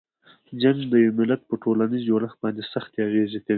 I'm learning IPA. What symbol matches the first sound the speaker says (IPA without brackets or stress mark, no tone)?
d͡ʒ